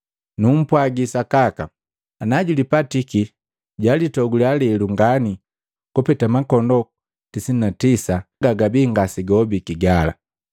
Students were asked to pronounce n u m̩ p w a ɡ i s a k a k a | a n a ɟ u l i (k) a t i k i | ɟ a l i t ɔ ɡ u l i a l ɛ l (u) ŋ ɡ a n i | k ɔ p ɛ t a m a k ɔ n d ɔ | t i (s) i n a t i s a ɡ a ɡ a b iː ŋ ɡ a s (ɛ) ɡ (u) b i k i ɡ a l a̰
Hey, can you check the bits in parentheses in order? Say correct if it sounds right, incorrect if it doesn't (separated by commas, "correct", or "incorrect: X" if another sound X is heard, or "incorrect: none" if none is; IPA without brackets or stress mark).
incorrect: p, correct, correct, incorrect: i, incorrect: ɔ